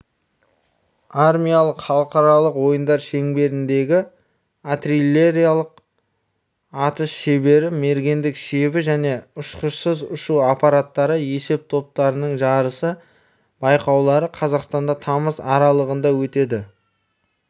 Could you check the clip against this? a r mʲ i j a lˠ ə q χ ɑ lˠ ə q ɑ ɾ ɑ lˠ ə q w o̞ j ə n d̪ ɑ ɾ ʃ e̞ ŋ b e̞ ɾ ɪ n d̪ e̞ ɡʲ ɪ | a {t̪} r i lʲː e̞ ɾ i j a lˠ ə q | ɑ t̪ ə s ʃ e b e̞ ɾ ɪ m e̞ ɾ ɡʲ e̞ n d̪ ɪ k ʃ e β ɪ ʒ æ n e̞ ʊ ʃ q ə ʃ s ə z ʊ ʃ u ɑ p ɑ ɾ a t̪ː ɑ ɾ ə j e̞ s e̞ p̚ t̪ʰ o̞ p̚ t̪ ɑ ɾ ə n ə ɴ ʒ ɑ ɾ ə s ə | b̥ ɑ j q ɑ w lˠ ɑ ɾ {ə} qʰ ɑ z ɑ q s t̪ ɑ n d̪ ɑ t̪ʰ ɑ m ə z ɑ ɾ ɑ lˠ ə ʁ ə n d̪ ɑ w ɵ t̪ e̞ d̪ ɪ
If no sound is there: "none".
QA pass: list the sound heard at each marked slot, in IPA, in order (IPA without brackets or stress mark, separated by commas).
t̪, ə